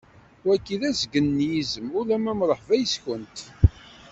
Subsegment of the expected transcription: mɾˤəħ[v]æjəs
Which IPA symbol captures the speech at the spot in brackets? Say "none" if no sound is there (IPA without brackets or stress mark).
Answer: v